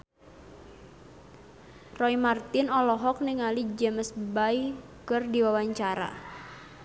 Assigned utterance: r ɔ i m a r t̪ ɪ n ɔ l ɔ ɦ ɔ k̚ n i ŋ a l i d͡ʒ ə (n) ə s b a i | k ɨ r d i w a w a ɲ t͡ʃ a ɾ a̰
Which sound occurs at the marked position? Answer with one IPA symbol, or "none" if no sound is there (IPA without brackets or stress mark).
m